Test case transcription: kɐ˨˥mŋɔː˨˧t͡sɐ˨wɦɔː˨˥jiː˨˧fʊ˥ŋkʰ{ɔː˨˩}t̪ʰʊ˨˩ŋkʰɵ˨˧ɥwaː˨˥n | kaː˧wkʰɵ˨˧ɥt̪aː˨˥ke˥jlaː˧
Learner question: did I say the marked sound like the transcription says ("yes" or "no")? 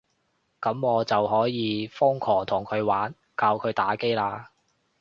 yes